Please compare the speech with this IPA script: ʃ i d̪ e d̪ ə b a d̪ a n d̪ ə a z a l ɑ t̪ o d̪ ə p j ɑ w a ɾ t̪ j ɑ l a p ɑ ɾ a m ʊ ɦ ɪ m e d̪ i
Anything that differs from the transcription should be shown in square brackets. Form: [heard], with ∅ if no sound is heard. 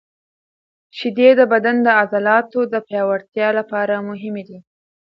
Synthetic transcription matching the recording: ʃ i d̪ e d̪ ə b a d̪ a n d̪ ə a z a l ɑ t̪ o d̪ ə p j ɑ w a ɾ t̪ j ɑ l a p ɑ ɾ a m ʊ ɦ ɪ m e d̪ i

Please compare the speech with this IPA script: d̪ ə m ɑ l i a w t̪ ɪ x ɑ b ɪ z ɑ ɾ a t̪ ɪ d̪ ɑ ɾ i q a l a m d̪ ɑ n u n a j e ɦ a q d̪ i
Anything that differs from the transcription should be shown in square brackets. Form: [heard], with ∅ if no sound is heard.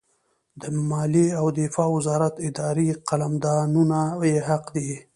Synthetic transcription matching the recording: d̪ ə m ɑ l i a w [d̪] ɪ [f] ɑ [w] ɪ z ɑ ɾ a t̪ ɪ d̪ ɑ ɾ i q a l a m d̪ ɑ n u n a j e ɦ a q d̪ i

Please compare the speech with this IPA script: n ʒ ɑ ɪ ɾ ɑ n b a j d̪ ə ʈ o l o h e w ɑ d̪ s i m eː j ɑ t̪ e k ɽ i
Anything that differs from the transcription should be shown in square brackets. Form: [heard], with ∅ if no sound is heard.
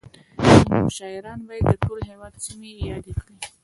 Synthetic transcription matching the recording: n [ʃ] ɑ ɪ ɾ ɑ n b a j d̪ ə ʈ o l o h e w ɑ d̪ s i m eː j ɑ [d̪] e k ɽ i

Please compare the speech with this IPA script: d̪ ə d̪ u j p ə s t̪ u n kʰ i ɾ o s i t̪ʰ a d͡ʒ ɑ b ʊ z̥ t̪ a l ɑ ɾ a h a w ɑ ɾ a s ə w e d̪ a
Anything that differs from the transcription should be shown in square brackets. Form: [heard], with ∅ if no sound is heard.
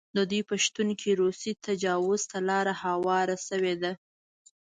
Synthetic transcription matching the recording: d̪ ə d̪ u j p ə [ʃ] t̪ u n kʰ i ɾ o s i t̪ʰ a d͡ʒ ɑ [w] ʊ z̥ t̪ a l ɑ ɾ a h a w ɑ ɾ a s ə w e d̪ a

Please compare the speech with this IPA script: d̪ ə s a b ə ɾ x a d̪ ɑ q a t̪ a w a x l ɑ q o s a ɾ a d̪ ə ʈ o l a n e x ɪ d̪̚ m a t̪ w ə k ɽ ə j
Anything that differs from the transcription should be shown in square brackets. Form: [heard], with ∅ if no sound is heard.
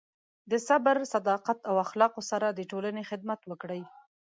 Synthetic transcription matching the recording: d̪ ə s a b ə ɾ [s] a d̪ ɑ q a t̪ a w a x l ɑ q o s a ɾ a d̪ ə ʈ o l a n e x ɪ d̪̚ m a t̪ w ə k ɽ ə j

